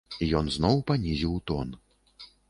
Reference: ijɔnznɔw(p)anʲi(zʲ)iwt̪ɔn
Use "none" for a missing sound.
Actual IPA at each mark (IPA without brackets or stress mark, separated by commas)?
p, zʲ